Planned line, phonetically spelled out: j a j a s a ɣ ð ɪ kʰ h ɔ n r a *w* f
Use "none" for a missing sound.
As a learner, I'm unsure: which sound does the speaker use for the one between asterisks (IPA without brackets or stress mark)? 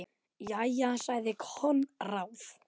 w